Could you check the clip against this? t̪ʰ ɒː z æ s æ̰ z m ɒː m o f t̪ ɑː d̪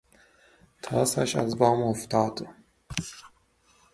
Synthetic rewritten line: t̪ʰ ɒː s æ ʃ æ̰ z b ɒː m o f t̪ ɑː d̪